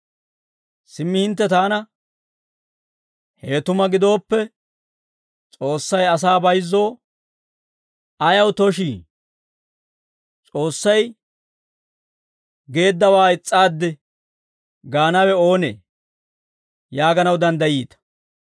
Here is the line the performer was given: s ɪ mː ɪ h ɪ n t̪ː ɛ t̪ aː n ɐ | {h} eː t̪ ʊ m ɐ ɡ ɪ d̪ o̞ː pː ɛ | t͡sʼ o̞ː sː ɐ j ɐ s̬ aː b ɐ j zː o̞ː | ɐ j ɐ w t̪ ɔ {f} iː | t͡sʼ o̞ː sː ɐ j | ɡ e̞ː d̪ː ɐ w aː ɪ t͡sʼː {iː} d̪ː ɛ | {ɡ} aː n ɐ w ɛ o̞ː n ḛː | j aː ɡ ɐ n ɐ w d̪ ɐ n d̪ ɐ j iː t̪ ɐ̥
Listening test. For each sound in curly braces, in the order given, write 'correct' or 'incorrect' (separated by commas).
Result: correct, incorrect, incorrect, correct